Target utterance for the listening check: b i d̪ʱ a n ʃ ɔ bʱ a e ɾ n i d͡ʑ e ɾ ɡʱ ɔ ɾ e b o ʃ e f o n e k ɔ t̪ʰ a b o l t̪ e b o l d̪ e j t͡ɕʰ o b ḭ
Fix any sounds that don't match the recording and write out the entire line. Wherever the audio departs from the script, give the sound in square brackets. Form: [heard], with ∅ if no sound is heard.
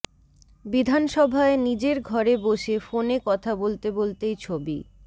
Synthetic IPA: b i d̪ʱ a n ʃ ɔ bʱ a e [∅] n i d͡ʑ e ɾ ɡʱ ɔ ɾ e b o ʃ e f o n e k ɔ t̪ʰ a b o l t̪ e b o l [t̪] e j t͡ɕʰ o b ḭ